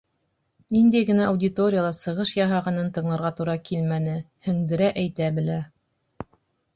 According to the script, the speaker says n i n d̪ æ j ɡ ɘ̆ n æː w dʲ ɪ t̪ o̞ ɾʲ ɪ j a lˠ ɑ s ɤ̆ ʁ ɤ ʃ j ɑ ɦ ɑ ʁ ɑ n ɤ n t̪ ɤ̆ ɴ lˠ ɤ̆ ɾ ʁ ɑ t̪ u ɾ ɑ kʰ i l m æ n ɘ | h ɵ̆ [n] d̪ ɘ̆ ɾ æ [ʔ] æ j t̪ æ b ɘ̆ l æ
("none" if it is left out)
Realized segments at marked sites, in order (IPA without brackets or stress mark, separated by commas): ŋ, ʔ